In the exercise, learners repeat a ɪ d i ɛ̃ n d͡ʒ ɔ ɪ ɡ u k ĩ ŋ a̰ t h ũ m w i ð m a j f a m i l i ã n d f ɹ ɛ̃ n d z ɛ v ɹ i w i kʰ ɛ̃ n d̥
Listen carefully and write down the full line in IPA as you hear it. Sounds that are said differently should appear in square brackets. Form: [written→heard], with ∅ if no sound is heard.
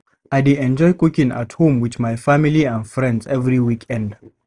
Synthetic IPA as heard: a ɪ d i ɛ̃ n d͡ʒ ɔ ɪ [ɡ→k] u k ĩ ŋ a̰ t h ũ m w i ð m a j f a m i l i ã n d f ɹ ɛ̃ n d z ɛ v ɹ i w i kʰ ɛ̃ n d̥

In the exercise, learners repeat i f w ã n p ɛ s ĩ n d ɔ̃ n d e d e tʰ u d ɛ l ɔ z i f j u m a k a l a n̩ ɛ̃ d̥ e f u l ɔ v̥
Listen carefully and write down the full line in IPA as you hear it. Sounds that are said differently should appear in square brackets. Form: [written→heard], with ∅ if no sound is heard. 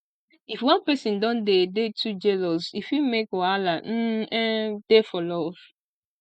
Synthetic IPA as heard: i f w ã n p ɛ s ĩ n d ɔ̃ n d e d e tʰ u [d→d͡ʒ] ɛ l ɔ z i f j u m [a→e] k a l a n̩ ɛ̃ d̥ e f [u→ɔ] l ɔ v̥

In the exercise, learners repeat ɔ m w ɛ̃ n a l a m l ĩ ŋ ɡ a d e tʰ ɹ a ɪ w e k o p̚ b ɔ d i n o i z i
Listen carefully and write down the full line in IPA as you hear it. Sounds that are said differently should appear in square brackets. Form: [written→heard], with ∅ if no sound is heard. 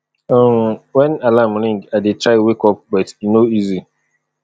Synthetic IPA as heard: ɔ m w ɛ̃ n a l a m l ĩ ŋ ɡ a d e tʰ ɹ a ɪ w e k [o→ɔ] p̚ b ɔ [d→t] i n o i z i

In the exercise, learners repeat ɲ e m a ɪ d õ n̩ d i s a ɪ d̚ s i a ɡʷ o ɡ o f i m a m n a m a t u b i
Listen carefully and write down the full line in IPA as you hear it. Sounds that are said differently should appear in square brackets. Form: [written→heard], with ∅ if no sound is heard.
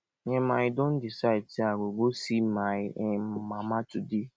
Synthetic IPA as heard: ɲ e m a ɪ d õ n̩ d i s a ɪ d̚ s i a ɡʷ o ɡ o [f→s] i m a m [n→m] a m a t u [b→d] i

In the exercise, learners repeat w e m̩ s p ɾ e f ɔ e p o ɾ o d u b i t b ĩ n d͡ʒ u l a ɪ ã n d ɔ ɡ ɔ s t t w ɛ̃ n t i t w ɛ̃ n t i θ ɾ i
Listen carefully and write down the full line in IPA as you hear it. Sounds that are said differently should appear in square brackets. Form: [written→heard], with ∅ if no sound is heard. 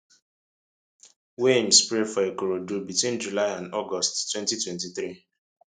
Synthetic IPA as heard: w e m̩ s p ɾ e f ɔ e [p→k] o ɾ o d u b i t [b→w] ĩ n d͡ʒ u l a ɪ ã n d ɔ ɡ ɔ s t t w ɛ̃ n t i t w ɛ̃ n t i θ ɾ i

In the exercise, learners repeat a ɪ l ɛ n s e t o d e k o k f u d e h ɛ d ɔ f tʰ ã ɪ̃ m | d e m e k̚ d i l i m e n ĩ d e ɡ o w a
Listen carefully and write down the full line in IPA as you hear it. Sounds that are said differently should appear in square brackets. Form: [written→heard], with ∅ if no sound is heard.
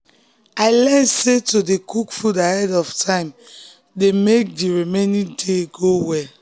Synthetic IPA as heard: a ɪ l ɛ n s e t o d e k [o→u] k f u d [e→a] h ɛ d ɔ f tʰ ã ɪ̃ m | d e m e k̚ d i [l→ɹ] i m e n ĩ d e ɡ o w [a→ɛ]

